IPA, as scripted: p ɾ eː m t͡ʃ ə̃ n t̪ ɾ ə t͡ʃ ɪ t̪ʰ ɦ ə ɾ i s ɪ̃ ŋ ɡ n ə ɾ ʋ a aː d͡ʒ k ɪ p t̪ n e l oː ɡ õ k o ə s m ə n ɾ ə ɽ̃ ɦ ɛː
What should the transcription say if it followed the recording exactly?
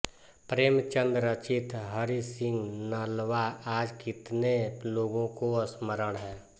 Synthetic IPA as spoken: p ɾ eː m t͡ʃ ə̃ n d̪ ɾ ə t͡ʃ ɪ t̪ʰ ɦ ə ɾ i s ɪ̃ ŋ ɡ n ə l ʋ a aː d͡ʒ k ɪ t̪ n e l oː ɡ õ k o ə s m ə ɾ ə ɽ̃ ɦ ɛː